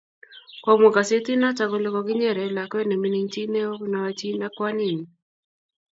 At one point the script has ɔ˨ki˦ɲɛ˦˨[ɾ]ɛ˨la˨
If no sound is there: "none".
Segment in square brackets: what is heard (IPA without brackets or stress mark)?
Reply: ɾ